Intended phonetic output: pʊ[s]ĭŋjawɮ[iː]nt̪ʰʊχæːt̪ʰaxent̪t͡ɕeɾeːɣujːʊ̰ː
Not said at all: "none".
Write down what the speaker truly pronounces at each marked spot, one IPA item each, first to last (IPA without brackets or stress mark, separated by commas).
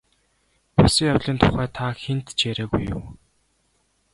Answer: s, iː